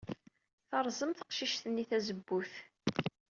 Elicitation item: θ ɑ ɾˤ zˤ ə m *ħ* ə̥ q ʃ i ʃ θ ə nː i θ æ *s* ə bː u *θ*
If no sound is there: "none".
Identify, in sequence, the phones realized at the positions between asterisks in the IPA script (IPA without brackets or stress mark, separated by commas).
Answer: θ, z, θ